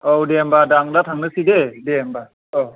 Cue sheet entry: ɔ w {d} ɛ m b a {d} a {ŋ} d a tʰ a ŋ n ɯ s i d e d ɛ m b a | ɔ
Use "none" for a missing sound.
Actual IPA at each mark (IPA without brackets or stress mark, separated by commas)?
d, d, ŋ